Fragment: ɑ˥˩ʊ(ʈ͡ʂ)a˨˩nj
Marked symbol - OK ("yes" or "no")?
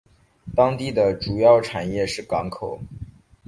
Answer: no